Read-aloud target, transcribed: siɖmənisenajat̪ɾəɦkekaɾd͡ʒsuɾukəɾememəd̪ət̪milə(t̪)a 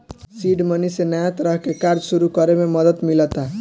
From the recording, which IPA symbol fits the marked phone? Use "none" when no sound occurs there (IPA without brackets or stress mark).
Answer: t̪